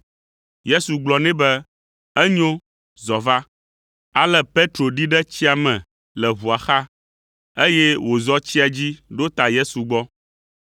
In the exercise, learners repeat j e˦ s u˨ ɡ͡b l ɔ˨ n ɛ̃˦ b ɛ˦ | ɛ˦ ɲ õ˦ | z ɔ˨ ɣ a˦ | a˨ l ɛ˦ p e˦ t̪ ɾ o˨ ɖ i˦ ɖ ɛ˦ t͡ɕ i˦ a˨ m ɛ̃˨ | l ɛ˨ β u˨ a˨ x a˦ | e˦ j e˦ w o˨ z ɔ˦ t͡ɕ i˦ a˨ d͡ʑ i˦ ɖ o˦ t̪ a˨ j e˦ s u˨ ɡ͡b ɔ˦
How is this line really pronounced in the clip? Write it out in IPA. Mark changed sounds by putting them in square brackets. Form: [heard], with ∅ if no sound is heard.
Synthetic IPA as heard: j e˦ s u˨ ɡ͡b l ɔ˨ n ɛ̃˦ b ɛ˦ | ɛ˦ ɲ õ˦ | z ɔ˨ [v] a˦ | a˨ l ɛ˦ p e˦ t̪ ɾ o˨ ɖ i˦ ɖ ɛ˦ t͡ɕ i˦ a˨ m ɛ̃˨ | l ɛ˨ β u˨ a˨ x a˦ | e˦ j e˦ w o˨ z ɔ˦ t͡ɕ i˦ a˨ d͡ʑ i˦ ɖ o˦ t̪ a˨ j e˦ s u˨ ɡ͡b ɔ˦